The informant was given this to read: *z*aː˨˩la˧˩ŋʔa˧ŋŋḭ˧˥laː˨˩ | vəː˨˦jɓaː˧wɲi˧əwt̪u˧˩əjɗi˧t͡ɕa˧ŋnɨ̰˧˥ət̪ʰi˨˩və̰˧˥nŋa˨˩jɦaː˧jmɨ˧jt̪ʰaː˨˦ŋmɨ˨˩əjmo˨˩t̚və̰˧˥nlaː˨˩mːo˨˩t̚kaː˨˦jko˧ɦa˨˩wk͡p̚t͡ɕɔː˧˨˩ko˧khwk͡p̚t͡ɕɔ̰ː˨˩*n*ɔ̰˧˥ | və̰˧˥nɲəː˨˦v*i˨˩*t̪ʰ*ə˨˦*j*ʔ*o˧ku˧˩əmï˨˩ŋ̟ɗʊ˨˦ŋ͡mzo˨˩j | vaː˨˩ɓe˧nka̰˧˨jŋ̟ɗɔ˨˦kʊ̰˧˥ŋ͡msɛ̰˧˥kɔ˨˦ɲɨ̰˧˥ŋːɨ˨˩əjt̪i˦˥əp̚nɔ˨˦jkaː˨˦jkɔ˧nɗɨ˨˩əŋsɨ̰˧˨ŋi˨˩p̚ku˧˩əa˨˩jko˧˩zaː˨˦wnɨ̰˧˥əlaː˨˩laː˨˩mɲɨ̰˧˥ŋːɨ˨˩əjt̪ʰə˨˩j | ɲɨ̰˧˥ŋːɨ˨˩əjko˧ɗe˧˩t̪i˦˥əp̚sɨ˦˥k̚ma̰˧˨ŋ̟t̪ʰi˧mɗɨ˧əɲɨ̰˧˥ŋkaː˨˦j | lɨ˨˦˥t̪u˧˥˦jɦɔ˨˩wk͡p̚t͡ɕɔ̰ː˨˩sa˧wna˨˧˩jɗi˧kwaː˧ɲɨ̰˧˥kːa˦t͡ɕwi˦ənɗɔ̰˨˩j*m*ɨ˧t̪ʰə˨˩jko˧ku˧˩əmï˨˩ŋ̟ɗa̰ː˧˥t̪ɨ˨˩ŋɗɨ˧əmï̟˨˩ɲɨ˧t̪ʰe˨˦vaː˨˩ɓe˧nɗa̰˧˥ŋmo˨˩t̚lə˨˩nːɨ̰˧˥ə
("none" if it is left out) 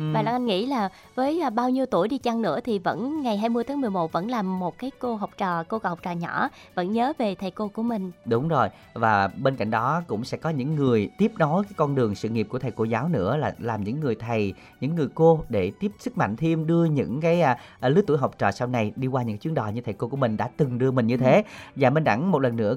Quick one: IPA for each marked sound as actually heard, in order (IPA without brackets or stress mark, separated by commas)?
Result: v, ɲ, e˨˩, ə˨˩, k, ɲ